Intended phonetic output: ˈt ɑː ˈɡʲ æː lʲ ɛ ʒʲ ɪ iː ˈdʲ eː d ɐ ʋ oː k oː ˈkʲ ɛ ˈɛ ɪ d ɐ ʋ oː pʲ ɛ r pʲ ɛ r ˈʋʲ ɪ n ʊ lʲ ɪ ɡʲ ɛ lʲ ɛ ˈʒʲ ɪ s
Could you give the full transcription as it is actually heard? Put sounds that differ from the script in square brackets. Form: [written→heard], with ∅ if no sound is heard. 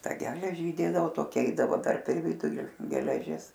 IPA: ˈt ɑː ˈɡʲ æː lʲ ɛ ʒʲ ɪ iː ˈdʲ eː d ɐ ʋ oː [k→t] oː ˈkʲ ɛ ˈɛ ɪ d ɐ ʋ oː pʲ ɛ r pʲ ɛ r ˈʋʲ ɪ [n→d] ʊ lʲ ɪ ɡʲ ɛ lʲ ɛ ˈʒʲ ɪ s